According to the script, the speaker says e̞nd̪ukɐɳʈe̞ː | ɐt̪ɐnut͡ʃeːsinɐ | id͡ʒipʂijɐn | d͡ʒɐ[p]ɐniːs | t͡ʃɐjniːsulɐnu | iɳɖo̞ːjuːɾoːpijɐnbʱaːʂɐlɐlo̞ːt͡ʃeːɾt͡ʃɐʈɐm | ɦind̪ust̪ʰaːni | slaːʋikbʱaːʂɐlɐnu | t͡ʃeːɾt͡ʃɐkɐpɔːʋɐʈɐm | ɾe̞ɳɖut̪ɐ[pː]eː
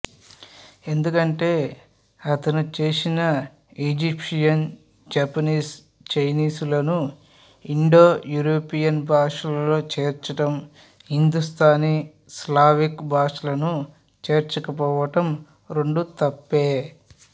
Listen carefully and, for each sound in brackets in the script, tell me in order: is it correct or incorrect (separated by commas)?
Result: correct, correct